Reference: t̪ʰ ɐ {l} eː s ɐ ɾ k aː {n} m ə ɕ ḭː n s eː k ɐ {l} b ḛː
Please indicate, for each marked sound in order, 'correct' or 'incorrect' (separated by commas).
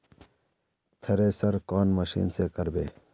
incorrect, correct, incorrect